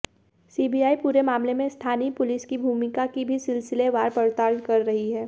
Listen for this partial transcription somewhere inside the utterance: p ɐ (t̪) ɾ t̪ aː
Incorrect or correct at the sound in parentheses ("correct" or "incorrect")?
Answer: incorrect